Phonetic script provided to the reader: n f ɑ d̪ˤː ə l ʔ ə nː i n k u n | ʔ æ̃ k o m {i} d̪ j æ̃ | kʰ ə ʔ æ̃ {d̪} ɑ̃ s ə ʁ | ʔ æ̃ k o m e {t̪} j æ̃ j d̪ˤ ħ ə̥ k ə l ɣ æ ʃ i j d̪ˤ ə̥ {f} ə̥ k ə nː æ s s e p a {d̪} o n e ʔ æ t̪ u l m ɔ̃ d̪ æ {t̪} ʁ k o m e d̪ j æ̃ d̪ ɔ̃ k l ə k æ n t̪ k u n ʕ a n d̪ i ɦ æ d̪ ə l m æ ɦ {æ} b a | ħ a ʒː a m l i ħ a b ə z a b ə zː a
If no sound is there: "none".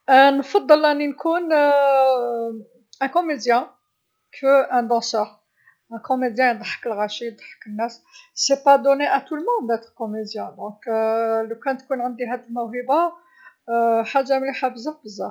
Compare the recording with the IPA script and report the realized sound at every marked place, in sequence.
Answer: e, d̪, d̪, ħ, d̪, t̪, i

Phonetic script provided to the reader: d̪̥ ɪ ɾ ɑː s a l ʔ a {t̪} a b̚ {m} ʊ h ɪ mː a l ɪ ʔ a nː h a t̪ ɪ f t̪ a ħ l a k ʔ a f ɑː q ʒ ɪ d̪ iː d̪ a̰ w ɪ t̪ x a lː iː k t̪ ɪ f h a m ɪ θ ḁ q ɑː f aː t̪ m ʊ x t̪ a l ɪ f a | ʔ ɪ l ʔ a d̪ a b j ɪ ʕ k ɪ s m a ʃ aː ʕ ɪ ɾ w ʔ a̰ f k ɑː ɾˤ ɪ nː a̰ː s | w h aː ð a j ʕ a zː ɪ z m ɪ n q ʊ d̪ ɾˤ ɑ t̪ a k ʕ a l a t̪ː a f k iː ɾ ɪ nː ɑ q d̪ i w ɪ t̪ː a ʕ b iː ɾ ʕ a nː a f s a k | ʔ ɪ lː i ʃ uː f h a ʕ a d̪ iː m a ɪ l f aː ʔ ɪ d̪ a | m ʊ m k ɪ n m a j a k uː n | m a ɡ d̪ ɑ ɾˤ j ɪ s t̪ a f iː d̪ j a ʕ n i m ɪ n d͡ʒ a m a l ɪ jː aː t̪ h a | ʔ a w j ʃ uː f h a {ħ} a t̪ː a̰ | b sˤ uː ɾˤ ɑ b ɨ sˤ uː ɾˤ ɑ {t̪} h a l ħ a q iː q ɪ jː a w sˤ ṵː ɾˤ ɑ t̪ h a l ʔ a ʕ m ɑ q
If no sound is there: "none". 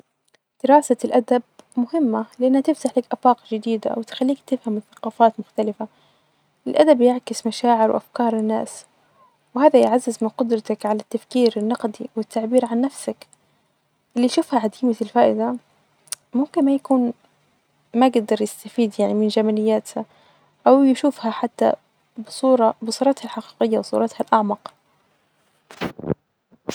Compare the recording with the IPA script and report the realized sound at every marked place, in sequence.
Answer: d̪, m, ħ, t̪

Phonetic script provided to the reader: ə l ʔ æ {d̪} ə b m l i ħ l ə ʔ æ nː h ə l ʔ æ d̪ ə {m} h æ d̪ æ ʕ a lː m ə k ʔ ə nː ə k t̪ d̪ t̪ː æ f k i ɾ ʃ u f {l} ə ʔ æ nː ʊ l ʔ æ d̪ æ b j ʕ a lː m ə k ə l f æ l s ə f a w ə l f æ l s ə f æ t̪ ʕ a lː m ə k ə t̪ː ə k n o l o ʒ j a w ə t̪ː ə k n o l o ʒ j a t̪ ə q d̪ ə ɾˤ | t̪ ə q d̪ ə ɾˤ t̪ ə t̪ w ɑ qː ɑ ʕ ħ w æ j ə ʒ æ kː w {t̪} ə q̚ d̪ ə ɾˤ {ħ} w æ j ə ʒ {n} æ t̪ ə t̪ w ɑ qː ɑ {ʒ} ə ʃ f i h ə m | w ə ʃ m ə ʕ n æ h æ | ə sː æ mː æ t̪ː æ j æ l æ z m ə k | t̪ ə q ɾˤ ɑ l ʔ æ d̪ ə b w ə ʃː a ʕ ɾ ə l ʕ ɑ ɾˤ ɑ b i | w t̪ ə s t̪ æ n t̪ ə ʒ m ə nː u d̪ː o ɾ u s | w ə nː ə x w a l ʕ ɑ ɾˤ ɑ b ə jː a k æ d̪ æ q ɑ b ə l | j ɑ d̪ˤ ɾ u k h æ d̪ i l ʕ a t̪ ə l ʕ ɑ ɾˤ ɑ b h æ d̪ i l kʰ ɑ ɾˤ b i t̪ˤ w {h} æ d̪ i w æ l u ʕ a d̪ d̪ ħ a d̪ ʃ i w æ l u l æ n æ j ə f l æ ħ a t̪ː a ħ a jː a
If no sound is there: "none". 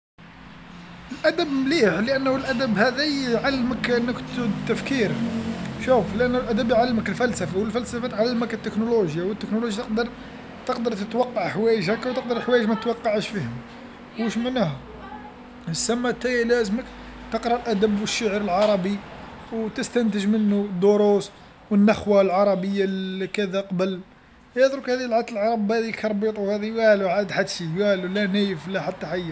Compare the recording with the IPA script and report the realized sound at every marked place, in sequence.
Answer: d̪, b, l, t̪, ħ, m, ʕ, h

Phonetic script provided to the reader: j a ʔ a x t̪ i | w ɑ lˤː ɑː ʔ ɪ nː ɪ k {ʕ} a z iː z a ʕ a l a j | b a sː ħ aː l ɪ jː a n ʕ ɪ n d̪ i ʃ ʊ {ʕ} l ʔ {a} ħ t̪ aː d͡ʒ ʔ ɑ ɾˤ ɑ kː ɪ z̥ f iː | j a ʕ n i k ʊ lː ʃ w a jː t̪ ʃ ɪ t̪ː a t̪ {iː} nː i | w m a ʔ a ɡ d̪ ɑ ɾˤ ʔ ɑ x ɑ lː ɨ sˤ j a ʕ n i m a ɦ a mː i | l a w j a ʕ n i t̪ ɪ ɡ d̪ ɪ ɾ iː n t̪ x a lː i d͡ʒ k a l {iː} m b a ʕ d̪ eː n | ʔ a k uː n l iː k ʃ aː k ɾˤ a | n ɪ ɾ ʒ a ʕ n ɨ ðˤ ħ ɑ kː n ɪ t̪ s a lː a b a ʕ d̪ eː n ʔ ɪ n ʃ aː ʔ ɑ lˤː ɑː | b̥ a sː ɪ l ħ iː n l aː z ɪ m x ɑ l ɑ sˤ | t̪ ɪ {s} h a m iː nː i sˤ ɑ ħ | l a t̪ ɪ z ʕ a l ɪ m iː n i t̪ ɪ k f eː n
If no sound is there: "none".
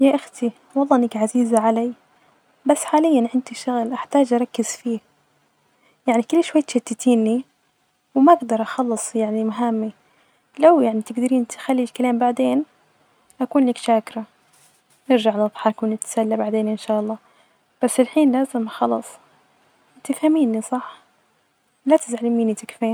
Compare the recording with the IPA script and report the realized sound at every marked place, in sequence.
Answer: ʕ, ɣ, a, iː, aː, f

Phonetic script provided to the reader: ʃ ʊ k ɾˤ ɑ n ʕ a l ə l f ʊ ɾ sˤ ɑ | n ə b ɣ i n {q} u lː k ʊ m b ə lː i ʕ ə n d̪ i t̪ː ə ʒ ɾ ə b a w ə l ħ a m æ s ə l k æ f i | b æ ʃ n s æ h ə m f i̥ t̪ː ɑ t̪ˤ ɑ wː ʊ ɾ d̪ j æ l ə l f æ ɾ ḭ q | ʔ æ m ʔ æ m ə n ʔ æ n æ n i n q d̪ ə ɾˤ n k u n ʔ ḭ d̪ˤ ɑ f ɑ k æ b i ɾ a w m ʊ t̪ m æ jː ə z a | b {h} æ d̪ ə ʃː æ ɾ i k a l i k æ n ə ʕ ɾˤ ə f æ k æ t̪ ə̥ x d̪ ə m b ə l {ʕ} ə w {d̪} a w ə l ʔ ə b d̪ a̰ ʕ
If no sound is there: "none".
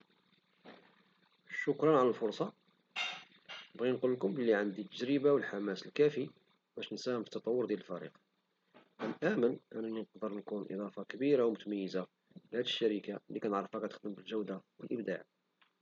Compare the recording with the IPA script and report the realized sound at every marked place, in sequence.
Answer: q, h, ʒ, d̪

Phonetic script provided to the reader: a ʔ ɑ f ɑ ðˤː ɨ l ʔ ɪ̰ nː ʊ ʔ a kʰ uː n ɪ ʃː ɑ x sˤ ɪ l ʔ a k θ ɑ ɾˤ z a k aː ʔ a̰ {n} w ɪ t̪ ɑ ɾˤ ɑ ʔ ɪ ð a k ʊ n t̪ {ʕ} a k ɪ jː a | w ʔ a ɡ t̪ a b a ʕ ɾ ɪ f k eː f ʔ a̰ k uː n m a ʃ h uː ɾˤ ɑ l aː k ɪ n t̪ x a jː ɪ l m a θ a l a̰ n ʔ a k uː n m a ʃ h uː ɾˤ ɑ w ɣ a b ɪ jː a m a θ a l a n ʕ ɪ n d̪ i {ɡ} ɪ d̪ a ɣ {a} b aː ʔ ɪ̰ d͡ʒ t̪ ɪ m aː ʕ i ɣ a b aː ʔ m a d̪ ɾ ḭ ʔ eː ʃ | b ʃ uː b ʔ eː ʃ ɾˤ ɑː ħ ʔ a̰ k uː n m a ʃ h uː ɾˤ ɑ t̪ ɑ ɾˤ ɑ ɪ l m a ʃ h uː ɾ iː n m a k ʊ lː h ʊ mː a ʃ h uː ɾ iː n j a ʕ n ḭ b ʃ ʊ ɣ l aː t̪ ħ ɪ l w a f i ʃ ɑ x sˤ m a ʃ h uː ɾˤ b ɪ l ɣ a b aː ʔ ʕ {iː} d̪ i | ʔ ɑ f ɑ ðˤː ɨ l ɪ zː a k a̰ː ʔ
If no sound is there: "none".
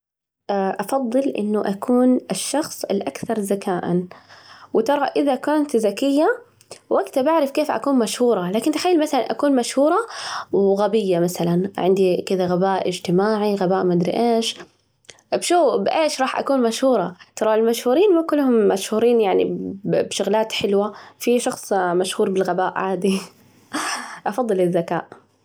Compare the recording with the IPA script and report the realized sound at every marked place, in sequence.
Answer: n, z, k, a, aː

